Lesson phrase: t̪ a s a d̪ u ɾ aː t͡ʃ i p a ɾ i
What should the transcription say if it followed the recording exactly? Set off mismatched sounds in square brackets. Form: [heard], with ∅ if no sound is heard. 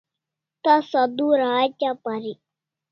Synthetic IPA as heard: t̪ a s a d̪ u ɾ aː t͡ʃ [a] p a ɾ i